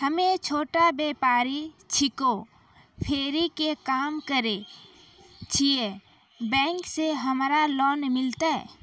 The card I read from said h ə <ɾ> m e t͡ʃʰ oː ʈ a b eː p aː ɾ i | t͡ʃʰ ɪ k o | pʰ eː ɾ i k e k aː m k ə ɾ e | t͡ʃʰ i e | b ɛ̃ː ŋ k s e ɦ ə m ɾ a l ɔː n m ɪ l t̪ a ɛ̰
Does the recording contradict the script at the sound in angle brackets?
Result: yes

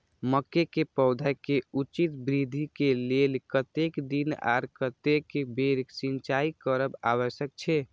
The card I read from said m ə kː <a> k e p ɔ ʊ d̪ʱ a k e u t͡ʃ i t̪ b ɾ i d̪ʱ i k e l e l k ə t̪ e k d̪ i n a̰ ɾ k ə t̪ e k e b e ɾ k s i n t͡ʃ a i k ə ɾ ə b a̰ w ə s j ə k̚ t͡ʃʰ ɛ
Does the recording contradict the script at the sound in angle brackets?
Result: yes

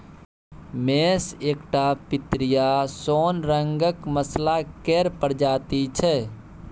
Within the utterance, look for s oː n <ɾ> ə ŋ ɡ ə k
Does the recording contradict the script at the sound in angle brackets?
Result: no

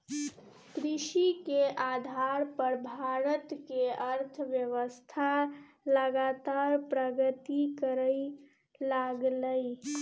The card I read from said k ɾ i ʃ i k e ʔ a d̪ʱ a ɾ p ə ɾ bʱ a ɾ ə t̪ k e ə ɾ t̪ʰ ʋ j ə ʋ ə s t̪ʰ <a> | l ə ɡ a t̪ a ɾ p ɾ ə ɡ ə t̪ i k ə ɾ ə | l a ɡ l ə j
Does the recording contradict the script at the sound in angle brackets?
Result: no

